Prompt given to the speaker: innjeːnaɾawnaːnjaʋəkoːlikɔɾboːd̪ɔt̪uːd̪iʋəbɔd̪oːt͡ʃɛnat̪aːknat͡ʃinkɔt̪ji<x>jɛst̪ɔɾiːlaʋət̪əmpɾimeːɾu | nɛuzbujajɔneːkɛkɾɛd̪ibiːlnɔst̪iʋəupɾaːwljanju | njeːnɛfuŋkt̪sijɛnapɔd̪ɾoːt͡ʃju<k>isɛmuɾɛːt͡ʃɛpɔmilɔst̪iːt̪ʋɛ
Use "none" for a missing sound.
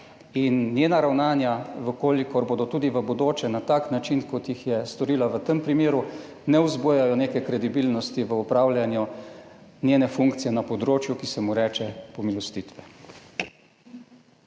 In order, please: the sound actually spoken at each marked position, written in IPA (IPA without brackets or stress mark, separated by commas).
x, k